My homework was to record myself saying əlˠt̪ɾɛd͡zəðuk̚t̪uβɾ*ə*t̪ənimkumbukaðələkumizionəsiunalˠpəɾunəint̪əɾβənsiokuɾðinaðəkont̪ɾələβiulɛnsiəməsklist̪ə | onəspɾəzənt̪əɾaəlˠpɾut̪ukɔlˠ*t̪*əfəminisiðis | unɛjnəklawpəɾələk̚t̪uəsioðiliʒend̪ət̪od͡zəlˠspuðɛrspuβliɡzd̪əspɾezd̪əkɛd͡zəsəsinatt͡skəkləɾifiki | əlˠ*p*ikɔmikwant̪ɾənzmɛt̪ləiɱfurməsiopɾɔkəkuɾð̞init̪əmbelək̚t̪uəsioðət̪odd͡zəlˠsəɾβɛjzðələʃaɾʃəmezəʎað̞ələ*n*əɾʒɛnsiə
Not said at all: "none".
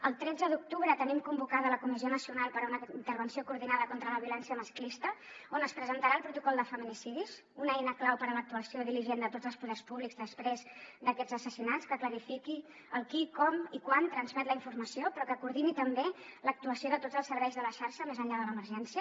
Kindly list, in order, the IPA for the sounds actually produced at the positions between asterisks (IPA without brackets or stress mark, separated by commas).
ə, d̪, k, m